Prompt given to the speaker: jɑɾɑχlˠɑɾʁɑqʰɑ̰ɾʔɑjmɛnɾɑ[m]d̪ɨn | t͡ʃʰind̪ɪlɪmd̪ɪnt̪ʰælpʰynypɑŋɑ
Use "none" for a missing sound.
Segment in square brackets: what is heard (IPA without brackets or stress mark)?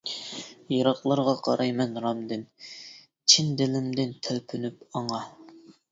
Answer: m